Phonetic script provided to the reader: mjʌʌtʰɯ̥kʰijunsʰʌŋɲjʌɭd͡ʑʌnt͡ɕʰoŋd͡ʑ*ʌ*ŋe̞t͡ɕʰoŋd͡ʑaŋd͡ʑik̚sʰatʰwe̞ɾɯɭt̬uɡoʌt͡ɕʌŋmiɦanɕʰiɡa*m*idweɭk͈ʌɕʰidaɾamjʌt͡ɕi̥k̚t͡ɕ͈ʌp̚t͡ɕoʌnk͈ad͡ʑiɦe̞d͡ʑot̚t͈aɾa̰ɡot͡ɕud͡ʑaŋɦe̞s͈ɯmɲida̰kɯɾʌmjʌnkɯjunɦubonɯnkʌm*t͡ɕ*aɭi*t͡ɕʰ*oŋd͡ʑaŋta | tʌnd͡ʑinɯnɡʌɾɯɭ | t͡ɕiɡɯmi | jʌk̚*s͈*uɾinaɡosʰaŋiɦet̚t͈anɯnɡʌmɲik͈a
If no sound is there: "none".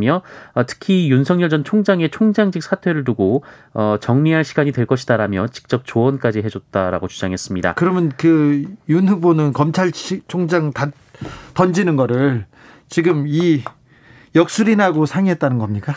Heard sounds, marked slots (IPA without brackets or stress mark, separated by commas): a, ɲ, t͡ɕʰ, t͡ɕʰ, s͈